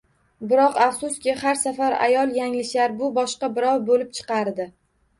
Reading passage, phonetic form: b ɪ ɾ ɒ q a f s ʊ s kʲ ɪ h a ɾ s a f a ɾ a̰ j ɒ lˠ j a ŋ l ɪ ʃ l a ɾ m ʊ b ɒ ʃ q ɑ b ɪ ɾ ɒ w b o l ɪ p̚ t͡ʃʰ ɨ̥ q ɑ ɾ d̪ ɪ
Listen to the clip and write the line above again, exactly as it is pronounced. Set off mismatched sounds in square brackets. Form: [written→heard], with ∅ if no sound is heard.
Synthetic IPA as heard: b ɪ ɾ ɒ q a f s ʊ s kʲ ɪ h a ɾ s a f a ɾ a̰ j ɒ lˠ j a ŋ l ɪ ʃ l a ɾ [m→b] ʊ b ɒ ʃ q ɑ b ɪ ɾ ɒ w b o l ɪ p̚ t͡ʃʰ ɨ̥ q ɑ ɾ d̪ ɪ